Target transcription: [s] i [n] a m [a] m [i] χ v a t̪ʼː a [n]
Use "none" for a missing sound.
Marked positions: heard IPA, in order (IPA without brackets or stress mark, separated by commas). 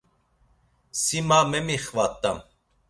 s, m, ɛ, i, m